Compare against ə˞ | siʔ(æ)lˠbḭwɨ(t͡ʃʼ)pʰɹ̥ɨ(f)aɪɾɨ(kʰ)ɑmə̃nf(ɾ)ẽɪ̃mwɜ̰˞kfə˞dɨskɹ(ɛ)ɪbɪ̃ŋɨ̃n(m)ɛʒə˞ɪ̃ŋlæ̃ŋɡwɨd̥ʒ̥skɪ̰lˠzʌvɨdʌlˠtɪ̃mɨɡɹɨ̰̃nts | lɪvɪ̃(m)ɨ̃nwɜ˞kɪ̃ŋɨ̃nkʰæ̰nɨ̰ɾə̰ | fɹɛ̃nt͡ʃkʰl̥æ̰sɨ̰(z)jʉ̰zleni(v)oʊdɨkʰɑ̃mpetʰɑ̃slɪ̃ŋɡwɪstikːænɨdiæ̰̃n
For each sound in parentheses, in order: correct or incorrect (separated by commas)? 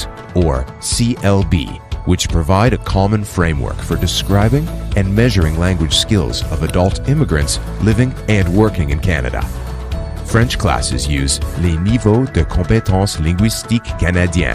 incorrect, incorrect, incorrect, correct, incorrect, incorrect, correct, incorrect, correct, correct